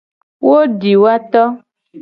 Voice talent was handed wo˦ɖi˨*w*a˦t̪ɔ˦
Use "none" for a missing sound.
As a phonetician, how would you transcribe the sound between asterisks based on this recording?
w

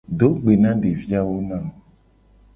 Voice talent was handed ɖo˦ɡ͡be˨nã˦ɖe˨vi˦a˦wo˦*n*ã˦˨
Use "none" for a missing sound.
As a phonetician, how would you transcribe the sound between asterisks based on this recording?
n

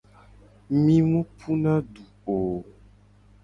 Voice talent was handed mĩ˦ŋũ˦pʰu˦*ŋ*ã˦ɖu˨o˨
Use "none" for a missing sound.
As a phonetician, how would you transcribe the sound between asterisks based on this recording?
n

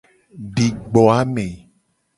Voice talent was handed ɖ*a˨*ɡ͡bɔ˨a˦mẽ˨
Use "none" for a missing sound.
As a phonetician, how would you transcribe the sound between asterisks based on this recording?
i˨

